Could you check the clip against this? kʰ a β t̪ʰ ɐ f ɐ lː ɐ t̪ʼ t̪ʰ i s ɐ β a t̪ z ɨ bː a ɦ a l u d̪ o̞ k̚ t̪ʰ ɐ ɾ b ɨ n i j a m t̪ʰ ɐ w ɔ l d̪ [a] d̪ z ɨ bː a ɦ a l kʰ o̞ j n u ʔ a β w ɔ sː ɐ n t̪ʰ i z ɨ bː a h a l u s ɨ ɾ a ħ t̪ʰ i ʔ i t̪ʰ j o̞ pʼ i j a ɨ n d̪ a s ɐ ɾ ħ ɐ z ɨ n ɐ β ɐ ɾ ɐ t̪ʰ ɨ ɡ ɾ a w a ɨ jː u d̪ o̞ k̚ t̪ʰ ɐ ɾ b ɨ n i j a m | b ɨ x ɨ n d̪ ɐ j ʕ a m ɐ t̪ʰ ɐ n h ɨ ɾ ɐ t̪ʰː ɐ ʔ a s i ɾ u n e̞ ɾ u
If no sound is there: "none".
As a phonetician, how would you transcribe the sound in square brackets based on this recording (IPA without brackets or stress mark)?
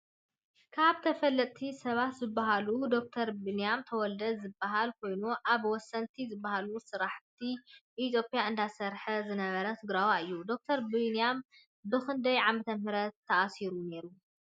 ɐ